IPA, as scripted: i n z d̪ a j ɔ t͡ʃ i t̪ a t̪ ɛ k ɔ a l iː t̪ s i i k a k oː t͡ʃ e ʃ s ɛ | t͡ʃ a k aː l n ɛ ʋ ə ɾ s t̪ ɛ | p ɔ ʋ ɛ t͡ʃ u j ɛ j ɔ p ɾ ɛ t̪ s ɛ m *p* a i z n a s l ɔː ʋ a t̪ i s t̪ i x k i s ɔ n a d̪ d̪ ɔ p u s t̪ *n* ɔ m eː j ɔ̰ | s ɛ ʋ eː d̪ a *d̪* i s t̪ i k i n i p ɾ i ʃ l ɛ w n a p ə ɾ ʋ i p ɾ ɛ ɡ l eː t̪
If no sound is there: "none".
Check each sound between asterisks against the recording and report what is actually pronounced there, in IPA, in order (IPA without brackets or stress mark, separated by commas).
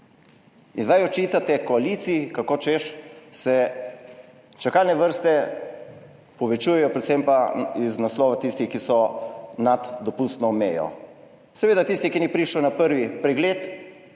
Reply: p, n, t̪